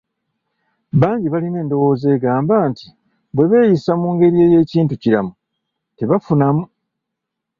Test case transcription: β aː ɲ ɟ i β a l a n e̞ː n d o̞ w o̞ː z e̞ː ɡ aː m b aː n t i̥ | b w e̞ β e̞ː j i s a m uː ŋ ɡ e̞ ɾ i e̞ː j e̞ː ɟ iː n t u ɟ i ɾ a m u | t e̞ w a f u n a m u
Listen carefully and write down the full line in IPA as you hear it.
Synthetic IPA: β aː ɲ ɟ i β a l i n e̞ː n d o̞ w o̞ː z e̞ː ɡ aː m b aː n t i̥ | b w e̞ β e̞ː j i s a m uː ŋ ɡ e̞ ɾ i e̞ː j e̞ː c iː n t u c i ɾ a m u | t e̞ β a f u n a m u